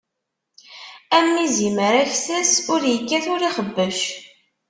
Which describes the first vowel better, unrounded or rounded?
unrounded